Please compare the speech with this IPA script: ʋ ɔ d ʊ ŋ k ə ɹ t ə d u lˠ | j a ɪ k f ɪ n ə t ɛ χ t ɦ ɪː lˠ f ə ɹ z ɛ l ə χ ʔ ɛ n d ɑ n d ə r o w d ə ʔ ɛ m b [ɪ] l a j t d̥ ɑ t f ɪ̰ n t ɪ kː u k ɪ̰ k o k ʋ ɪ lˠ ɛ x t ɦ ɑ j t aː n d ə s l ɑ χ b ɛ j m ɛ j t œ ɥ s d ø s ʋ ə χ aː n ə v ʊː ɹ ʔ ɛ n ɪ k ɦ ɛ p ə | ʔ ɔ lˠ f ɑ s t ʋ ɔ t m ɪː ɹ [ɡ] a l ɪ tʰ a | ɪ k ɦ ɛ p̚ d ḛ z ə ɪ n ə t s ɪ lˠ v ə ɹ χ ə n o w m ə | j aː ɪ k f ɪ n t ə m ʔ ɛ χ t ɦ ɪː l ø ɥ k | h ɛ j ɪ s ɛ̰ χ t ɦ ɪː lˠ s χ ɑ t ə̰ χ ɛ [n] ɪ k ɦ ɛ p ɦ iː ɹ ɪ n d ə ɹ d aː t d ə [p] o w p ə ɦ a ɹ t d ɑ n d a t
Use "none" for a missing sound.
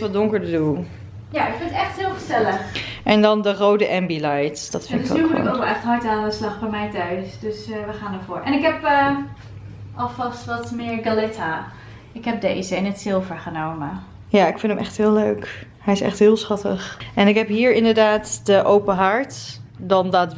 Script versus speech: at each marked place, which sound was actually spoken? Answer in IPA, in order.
i, ɡ, n, ʔ

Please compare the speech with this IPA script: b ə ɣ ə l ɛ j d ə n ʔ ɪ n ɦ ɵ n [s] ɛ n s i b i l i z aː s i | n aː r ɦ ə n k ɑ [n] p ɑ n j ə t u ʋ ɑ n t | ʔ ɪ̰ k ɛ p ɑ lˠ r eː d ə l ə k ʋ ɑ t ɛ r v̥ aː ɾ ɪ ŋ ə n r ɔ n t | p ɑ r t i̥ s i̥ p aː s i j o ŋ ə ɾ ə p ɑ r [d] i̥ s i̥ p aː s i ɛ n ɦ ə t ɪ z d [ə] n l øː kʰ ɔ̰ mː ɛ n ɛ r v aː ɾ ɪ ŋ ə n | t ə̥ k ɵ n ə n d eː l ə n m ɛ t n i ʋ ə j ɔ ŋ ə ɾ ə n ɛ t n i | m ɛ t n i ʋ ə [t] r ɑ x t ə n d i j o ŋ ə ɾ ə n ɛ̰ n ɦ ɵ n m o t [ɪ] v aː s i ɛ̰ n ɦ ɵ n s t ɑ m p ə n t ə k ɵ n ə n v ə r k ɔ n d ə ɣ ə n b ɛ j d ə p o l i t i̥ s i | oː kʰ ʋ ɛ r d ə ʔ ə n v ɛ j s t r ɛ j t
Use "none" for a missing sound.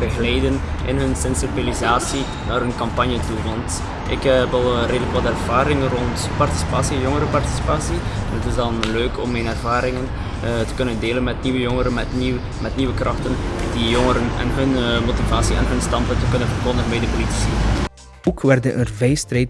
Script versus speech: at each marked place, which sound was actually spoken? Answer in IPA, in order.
s, m, t, ɑ, k, i

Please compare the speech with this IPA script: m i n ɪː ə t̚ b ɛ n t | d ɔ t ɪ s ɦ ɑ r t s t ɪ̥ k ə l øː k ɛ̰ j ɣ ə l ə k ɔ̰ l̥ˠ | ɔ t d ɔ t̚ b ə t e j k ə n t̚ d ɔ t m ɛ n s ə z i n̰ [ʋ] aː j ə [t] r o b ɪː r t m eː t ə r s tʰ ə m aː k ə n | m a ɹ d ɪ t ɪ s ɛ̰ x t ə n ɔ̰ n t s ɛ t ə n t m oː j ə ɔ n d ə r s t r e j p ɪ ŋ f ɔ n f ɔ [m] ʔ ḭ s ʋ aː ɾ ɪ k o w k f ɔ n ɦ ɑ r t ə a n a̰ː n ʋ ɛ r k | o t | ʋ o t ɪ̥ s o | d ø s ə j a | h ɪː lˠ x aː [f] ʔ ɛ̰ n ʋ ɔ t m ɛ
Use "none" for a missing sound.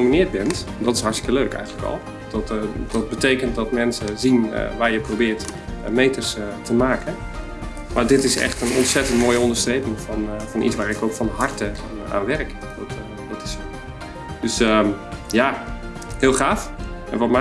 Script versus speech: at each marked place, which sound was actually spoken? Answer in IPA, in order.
ʋ, p, n, f

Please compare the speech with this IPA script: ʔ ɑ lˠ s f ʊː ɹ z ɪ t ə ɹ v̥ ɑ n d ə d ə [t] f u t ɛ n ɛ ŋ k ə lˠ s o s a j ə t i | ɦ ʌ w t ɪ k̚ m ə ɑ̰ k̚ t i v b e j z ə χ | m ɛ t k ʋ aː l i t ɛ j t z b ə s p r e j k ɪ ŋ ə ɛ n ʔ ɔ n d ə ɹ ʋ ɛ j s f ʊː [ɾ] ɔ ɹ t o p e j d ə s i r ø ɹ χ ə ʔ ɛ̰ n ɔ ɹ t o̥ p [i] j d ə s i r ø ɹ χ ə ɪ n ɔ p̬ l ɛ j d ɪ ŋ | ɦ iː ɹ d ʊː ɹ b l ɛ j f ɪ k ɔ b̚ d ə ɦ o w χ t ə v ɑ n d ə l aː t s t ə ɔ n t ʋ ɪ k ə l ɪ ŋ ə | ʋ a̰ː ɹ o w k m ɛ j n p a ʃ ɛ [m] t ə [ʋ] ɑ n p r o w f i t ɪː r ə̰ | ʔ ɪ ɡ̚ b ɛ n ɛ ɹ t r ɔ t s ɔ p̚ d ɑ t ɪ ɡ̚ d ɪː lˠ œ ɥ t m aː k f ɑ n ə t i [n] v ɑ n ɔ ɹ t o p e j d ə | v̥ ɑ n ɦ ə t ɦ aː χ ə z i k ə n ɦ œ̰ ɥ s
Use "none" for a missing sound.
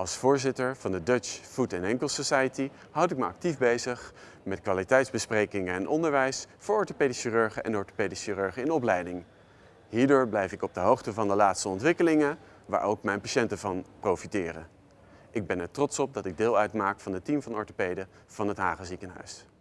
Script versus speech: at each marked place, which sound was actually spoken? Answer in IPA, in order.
t͡ʃ, ɹ, e, n, v, m

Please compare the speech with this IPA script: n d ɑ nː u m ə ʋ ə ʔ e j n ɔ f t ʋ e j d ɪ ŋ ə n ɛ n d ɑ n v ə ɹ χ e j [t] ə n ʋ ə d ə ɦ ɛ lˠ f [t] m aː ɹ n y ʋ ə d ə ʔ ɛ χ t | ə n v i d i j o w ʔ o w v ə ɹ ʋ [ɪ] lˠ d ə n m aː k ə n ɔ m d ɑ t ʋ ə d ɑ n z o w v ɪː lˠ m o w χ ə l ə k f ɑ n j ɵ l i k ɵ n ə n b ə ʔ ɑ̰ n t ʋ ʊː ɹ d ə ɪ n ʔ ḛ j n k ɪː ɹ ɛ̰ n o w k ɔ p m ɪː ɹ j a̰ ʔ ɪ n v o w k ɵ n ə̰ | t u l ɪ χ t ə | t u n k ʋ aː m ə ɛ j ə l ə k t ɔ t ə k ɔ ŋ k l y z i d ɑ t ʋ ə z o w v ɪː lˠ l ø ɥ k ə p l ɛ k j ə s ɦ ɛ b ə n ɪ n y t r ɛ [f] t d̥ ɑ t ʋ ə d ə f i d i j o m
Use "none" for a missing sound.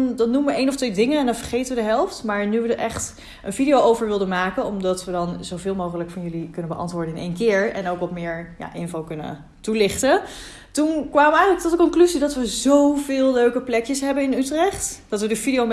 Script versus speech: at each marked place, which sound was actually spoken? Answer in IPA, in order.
t, t, ɪ, χ

